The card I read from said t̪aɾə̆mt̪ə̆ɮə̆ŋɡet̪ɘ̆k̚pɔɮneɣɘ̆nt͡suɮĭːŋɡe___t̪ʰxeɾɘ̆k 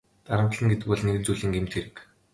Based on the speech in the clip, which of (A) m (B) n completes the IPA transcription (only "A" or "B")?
A